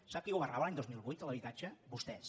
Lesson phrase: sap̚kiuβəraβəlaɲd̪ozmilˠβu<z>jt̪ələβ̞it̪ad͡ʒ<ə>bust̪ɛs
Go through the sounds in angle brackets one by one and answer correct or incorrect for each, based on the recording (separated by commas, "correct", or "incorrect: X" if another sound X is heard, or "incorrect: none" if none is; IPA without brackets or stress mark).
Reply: incorrect: none, correct